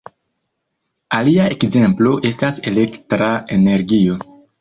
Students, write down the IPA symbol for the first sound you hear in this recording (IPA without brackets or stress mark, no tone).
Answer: a